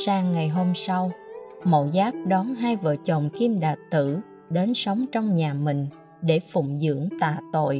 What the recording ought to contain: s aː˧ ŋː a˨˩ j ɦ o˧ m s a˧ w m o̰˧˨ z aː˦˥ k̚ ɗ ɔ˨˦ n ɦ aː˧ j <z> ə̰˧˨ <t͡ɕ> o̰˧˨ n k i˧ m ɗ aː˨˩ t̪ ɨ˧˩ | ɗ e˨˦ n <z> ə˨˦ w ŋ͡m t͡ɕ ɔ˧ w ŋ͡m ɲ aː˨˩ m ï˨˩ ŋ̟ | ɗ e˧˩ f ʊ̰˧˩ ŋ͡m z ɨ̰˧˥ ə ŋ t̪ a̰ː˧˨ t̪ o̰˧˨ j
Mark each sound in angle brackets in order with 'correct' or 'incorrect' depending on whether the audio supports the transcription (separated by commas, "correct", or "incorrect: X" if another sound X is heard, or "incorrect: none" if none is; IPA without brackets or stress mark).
incorrect: v, correct, incorrect: s